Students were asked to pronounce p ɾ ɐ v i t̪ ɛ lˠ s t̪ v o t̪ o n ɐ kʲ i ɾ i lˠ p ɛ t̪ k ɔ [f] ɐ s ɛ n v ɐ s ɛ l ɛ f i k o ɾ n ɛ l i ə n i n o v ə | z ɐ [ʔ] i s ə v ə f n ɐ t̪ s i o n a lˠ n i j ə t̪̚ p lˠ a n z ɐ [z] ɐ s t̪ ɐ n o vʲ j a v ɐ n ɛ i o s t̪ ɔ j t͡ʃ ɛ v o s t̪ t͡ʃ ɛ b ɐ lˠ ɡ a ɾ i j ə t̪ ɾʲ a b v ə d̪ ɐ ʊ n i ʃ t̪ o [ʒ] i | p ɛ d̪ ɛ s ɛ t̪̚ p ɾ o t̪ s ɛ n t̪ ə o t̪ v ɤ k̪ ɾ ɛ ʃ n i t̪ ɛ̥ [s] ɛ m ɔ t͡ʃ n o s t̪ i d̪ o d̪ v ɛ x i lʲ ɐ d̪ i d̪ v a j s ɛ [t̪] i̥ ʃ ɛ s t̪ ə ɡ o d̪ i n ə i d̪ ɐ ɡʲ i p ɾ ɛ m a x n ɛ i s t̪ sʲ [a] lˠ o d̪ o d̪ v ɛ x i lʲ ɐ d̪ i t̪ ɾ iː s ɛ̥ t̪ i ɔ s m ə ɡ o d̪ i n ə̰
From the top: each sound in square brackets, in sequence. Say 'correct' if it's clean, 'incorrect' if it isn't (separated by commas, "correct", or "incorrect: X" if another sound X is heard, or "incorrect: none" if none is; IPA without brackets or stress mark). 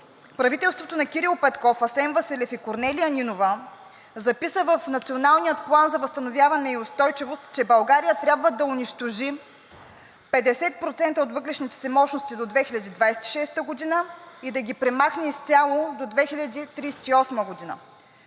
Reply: correct, incorrect: p, incorrect: v, correct, correct, correct, correct